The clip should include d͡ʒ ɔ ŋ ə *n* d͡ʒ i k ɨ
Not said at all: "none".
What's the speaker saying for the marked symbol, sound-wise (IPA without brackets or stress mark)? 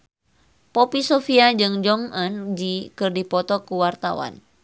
n